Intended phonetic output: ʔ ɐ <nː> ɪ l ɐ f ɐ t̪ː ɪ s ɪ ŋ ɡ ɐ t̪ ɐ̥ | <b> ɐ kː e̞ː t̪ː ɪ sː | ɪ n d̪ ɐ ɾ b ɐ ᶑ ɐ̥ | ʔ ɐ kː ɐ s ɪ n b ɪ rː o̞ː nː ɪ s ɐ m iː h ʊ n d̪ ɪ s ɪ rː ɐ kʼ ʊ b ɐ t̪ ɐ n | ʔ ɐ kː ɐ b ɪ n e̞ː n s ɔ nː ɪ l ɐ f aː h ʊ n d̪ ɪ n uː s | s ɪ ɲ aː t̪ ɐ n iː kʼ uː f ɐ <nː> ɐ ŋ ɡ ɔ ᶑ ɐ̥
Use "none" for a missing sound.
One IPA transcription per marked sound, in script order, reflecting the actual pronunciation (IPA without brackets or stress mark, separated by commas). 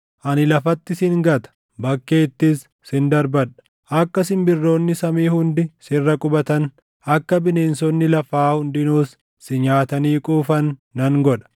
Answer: n, b, nː